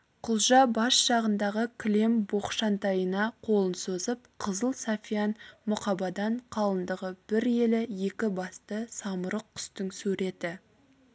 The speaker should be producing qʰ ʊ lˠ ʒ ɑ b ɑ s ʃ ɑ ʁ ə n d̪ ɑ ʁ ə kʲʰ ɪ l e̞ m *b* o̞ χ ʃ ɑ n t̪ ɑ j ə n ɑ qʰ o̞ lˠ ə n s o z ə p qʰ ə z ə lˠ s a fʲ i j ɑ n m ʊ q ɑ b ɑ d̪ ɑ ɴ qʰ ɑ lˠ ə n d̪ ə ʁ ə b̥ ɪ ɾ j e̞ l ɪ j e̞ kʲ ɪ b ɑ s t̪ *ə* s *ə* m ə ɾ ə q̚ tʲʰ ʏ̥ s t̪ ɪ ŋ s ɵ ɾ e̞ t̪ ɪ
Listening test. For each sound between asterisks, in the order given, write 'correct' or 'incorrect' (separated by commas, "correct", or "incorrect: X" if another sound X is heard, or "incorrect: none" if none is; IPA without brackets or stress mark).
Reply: correct, correct, incorrect: ɑ